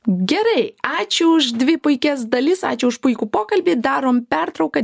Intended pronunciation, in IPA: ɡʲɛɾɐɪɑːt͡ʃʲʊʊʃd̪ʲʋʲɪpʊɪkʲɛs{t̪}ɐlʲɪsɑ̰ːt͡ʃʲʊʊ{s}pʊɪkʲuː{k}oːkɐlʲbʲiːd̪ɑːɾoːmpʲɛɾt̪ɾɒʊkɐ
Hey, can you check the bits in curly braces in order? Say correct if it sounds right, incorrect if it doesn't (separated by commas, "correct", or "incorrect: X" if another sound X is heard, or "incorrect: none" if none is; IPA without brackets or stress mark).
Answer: incorrect: d̪, incorrect: ʃ, incorrect: p